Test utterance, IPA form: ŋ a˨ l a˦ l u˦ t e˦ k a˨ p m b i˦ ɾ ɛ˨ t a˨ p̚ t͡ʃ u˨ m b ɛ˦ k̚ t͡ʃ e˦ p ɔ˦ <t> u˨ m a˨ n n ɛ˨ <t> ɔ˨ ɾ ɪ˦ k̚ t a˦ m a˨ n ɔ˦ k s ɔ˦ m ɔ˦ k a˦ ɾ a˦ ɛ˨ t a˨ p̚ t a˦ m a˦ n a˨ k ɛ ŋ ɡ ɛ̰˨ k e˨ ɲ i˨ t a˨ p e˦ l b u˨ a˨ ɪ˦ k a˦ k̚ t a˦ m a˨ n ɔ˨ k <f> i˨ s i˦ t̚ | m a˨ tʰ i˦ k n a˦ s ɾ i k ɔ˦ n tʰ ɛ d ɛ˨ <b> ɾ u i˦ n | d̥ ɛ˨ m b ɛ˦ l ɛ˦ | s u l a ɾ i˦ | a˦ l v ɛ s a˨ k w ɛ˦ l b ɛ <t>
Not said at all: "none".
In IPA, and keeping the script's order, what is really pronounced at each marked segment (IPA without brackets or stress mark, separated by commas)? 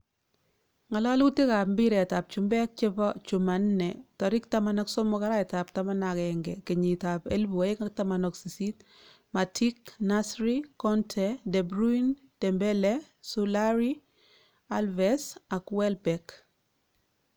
t͡ʃ, t, s, b, k